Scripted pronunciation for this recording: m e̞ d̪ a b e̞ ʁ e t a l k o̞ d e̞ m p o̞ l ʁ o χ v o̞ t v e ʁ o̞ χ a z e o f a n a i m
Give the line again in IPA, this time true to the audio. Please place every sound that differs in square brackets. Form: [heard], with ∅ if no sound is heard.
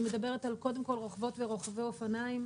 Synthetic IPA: m e̞ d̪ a b e̞ ʁ e t a l k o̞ d e̞ m [k] o̞ l ʁ o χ v o̞ t v e ʁ o̞ χ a [v] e o f a n a i m

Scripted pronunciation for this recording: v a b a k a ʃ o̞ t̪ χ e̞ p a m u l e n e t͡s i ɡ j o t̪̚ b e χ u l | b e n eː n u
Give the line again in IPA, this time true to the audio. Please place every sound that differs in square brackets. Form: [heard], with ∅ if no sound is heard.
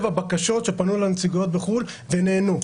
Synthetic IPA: v a b a k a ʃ o̞ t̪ [ʃ] e̞ p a [n] u l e n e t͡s i ɡ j o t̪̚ b e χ u l | [v] e n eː n u

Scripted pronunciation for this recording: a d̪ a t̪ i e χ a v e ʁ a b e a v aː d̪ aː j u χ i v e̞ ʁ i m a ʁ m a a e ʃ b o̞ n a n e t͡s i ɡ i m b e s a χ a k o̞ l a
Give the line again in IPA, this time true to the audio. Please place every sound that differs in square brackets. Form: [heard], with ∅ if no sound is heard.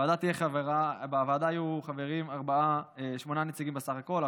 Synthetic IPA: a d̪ a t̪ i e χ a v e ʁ a b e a v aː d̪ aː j u χ [a] v e̞ ʁ i m a ʁ [b] a a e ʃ [m] o̞ n a n e t͡s i ɡ i m b e s a χ a k o̞ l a

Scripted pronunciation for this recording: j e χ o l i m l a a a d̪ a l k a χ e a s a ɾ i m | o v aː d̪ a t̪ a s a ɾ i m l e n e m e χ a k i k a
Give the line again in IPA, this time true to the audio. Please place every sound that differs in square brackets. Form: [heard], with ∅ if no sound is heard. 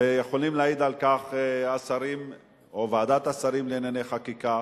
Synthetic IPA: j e χ o l i m l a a [i] d̪ a l k a χ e a s a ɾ i m | o v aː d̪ a t̪ a s a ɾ i m l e n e [n] e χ a k i k a

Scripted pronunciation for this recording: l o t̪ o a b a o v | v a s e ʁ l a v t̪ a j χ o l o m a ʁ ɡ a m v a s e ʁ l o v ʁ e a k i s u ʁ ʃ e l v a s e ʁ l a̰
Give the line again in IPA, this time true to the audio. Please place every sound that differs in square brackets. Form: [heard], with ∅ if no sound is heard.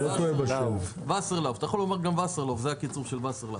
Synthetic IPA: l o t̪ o [e] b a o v | v a s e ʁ l a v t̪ a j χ o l o m a ʁ ɡ a m v a s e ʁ l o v [z] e a k i [t͡s] u ʁ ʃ e l v a s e ʁ l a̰

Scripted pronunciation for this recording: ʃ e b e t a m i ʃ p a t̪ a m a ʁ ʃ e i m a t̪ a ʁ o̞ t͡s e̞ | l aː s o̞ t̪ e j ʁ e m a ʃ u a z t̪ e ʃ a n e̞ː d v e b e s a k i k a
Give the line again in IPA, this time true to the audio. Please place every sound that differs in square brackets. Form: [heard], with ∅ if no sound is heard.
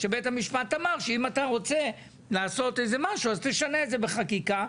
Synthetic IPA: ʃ e b e t a m i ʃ p a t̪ a m a ʁ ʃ e i m a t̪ a ʁ o̞ t͡s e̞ | l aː s o̞ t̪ e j [z] e m a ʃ u a z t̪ e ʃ a n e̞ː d [z] e b e [χ] a k i k a

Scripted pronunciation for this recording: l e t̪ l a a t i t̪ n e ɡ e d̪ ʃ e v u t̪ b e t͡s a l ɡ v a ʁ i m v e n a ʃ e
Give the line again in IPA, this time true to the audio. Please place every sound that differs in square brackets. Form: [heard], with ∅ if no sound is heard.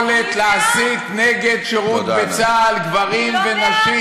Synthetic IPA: l e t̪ l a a [s] i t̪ n e ɡ e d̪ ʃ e [ʁ] u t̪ b e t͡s a l ɡ v a ʁ i m v e n a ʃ [i]

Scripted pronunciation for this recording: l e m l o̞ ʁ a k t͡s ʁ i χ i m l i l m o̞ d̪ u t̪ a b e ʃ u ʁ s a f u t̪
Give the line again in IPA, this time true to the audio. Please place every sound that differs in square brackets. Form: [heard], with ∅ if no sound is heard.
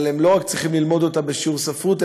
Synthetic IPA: l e m l o̞ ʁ a k t͡s ʁ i χ i m l i l m o̞ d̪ [o] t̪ a b e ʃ u ʁ s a f u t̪

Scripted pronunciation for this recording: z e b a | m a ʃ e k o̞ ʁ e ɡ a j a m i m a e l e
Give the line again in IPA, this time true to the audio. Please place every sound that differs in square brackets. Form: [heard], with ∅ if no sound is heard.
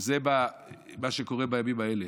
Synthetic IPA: z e b a | m a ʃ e k o̞ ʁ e [b] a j a m i m a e l e

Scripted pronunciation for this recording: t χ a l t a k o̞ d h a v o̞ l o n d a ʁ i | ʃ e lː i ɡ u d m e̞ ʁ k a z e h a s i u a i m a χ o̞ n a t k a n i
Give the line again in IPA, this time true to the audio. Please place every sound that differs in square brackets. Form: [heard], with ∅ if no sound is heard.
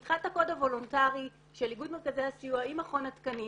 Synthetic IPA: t χ a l t a k o̞ d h a v o̞ l o n [t] a ʁ i | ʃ e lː i ɡ u d m e̞ ʁ k a z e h a s i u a i m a χ o̞ n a t k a n i

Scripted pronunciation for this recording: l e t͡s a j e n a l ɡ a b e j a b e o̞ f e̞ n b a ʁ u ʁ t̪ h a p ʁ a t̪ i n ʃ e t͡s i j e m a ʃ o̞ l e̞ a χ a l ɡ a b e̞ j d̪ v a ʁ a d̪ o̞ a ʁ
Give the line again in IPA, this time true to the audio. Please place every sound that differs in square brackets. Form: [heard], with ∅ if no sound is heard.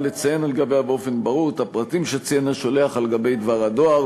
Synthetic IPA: l e t͡s a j e n a l ɡ a b e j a b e o̞ f e̞ n b a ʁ u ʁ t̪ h a p ʁ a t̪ i [m] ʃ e t͡s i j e [n] a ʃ o̞ l e̞ a χ a l ɡ a b e̞ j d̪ v a ʁ a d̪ o̞ a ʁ

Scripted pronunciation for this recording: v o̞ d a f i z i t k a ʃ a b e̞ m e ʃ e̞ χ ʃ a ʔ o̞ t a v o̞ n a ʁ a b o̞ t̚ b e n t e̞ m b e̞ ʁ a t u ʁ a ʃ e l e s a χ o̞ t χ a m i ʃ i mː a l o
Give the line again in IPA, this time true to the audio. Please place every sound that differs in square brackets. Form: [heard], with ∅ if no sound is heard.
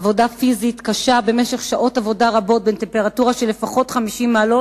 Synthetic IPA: v o̞ d a f i z i t k a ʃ a b e̞ m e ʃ e̞ χ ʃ a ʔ o̞ t a v o̞ [d] a ʁ a b o̞ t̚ b e n t e̞ m [p] e̞ ʁ a t u ʁ a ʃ e l e [f] a χ o̞ t χ a m i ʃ i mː a l o

